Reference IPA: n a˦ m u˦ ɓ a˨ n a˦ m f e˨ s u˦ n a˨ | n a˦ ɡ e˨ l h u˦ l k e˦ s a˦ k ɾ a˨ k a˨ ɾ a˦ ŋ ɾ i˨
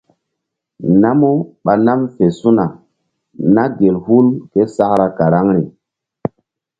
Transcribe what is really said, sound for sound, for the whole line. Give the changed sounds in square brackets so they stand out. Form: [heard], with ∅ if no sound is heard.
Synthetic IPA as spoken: n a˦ m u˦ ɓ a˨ n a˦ m f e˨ s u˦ n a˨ | n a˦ ɡ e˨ l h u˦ l k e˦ s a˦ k ɾ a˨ k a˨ ɾ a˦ ŋ ɾ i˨

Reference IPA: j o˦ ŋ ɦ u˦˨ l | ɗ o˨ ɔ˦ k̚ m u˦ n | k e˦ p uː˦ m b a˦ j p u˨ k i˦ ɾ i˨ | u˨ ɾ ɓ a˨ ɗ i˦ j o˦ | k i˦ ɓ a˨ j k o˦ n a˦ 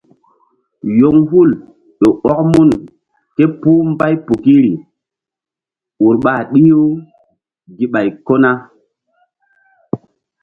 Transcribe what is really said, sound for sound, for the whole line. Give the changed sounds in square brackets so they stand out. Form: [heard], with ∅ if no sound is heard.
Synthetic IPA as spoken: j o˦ ŋ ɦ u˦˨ l | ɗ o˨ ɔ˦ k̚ m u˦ n | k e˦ p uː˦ m b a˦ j p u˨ k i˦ ɾ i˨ | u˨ ɾ ɓ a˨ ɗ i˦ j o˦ | [ɡ] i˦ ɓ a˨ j k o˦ n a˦

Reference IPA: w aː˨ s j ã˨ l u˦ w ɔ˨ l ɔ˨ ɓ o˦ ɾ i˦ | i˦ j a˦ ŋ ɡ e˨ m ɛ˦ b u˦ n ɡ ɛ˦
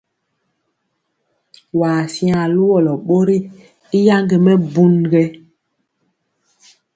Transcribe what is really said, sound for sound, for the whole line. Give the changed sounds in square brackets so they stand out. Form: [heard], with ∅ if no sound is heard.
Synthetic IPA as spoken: w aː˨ s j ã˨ l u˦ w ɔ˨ l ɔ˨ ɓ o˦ ɾ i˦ | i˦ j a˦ ŋ ɡ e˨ m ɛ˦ b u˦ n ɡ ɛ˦

